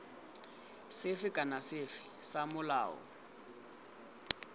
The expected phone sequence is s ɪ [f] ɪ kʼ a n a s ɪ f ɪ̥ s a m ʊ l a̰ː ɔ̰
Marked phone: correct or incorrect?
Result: correct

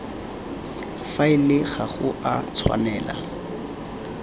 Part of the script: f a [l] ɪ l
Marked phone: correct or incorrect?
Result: incorrect: none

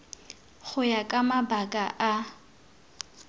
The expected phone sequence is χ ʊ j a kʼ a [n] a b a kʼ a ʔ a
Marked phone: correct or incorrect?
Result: incorrect: m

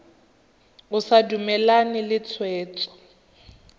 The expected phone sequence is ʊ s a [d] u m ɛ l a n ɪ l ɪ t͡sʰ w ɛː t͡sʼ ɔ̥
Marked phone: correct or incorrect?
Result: correct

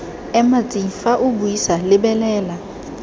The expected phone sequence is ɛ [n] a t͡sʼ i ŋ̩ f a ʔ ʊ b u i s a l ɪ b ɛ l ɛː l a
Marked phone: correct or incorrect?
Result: incorrect: m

